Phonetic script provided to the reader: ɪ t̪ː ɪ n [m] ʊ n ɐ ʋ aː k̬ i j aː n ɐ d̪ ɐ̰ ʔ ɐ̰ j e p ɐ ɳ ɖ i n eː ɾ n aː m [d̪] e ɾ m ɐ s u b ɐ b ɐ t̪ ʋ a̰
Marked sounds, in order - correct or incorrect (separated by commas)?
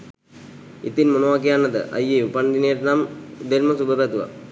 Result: correct, correct